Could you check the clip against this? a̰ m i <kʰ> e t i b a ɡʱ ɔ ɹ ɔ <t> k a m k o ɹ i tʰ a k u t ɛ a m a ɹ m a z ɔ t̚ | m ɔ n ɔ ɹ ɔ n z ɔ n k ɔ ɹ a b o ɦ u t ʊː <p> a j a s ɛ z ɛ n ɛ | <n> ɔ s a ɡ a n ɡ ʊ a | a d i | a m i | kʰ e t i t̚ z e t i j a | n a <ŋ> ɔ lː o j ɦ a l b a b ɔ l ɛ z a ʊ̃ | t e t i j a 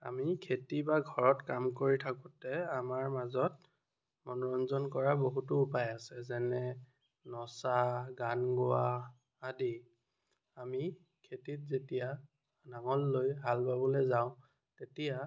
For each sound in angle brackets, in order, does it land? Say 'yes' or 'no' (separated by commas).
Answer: yes, yes, yes, yes, yes